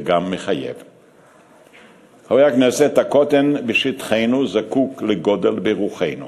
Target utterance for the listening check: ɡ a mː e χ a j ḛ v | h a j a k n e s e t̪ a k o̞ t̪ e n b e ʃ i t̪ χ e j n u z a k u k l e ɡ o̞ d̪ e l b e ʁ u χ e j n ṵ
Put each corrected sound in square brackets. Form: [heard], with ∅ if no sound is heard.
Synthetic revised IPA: ɡ a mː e χ a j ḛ v | h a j a k n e s e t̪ a k o̞ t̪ e n b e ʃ i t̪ χ e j n u z a k u k l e ɡ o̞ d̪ e l b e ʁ u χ e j n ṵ